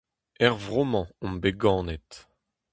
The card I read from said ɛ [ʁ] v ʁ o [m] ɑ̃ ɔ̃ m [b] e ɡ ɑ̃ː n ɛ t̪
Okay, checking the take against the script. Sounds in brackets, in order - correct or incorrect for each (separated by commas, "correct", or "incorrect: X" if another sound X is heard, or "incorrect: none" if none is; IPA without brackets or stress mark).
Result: correct, correct, correct